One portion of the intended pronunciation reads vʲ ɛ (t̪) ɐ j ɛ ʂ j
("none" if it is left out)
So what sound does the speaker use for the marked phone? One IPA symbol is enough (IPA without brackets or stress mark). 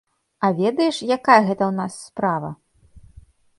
d̪